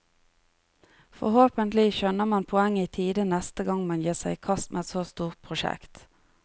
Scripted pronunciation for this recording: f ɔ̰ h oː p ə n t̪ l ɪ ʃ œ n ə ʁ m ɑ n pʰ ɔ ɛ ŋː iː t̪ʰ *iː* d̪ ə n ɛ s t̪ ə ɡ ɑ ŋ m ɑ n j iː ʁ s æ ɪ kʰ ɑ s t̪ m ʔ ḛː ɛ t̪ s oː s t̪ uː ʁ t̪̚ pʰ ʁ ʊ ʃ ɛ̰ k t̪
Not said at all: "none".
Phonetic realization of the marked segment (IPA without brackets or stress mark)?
iː